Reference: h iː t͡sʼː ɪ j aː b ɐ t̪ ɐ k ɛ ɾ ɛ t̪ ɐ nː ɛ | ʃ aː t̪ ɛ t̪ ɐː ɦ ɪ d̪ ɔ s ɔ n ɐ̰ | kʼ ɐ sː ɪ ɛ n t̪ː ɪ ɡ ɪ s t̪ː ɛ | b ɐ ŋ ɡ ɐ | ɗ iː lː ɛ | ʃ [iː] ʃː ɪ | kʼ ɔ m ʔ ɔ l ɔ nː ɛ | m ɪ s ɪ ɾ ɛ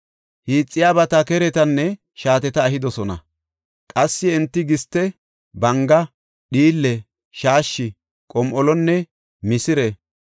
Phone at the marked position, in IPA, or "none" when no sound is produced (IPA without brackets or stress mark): aː